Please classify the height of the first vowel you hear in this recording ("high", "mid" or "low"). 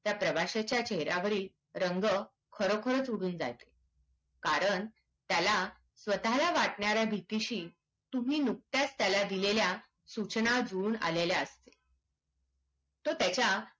low